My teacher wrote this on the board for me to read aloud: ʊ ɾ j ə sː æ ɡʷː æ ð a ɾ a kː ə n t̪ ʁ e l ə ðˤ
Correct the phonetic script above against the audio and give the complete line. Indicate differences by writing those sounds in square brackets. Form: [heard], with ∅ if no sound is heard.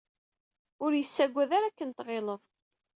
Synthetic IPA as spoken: ʊ ɾ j ə sː æ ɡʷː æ ð a ɾ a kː ə n t̪ ʁ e l ə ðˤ